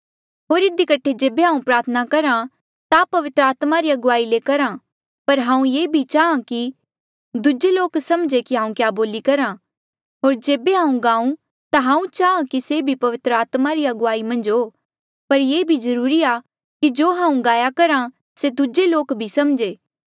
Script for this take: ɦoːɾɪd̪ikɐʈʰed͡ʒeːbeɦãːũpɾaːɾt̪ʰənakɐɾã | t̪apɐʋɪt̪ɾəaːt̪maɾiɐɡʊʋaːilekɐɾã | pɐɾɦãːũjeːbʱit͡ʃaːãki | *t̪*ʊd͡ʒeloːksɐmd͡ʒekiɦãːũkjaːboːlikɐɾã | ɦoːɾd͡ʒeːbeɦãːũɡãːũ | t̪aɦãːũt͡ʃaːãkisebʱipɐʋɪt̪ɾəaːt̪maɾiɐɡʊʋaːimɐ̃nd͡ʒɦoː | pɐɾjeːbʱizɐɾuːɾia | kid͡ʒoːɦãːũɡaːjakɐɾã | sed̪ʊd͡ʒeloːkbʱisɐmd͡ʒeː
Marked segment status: incorrect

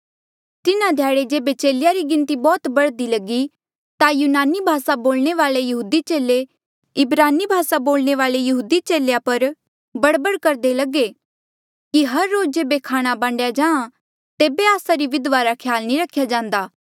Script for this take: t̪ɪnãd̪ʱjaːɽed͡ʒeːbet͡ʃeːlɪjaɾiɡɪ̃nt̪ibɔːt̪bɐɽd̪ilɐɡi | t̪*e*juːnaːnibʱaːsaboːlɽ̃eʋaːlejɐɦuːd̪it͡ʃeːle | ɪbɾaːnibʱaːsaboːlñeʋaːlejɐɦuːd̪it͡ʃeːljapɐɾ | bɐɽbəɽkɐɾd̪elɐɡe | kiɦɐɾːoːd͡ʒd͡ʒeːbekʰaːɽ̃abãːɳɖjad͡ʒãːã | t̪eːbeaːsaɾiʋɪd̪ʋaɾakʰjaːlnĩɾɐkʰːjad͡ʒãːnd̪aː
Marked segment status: incorrect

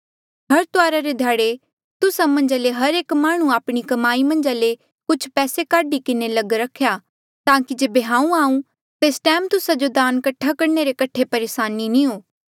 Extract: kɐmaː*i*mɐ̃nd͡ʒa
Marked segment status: correct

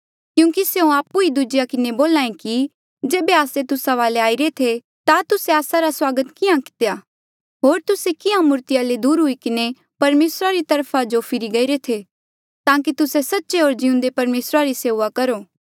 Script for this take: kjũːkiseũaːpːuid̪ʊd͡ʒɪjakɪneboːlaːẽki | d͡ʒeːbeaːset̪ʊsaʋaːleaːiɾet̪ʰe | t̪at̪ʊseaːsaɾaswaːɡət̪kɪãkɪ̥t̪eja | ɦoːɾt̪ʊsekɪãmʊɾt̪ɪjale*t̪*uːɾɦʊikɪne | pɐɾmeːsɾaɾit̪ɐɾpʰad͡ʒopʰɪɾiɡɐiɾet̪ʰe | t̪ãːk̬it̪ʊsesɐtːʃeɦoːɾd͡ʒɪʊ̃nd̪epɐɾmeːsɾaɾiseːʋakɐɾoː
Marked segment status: incorrect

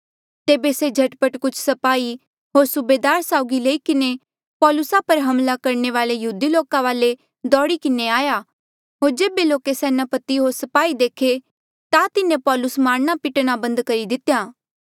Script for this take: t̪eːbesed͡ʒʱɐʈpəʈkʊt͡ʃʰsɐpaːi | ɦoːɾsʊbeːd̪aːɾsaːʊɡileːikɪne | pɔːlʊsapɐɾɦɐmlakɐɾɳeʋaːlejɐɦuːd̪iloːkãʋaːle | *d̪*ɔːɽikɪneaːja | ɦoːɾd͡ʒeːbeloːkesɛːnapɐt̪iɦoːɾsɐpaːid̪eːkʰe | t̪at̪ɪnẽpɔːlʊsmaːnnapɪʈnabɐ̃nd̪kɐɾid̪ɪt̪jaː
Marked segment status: correct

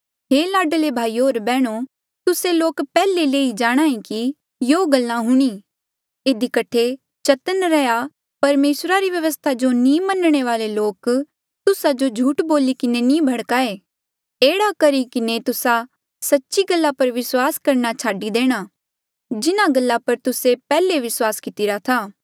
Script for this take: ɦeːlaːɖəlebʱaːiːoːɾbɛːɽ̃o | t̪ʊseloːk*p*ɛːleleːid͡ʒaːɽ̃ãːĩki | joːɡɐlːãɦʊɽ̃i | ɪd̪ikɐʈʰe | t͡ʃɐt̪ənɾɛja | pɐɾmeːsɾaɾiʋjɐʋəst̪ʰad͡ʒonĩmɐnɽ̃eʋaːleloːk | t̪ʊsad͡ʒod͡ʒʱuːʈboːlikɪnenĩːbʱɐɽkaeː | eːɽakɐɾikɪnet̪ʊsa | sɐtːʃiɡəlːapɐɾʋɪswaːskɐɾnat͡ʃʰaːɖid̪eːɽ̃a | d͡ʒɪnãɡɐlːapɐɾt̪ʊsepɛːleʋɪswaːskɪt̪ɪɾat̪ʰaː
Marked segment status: correct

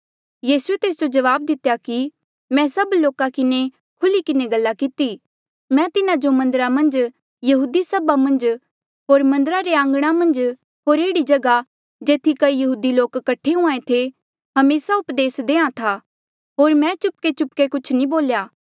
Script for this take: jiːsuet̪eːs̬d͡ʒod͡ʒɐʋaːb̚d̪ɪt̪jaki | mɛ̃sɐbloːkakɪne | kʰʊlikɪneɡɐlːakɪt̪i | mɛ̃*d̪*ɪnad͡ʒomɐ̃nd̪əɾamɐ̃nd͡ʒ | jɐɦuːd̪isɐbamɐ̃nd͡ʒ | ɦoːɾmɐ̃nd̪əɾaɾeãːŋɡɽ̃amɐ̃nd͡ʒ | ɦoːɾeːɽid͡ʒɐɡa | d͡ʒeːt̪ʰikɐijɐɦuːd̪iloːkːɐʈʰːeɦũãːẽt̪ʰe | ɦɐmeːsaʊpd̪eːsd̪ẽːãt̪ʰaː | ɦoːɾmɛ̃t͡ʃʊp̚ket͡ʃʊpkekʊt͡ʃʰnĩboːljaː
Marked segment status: incorrect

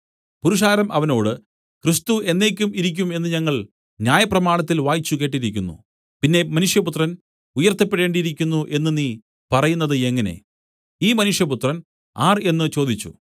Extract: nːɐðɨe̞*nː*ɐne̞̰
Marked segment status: incorrect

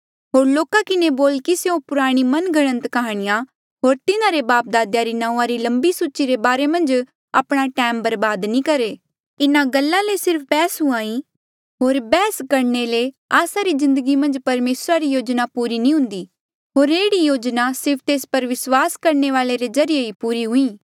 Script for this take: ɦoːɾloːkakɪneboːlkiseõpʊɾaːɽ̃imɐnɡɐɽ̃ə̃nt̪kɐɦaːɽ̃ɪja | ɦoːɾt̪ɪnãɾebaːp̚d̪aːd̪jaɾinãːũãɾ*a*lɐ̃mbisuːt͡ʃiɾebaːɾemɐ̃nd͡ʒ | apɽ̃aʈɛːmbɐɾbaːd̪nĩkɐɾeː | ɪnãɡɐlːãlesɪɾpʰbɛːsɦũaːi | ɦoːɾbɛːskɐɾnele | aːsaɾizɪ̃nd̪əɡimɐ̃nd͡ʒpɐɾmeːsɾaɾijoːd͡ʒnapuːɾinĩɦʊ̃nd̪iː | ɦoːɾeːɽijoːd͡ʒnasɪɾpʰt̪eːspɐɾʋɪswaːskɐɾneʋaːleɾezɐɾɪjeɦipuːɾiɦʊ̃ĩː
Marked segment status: incorrect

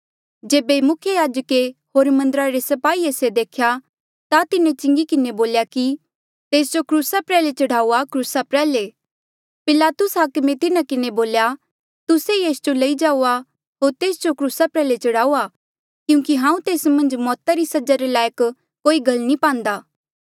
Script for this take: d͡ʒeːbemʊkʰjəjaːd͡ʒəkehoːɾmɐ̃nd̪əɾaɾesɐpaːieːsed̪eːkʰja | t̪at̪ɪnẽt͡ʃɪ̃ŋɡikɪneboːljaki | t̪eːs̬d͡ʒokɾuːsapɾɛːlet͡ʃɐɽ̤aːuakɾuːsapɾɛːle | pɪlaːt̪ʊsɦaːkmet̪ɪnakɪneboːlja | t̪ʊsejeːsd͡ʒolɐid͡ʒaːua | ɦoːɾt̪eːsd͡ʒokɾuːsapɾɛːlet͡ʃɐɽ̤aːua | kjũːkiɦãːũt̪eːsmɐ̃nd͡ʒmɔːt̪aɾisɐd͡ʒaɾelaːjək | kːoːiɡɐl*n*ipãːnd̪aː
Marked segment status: correct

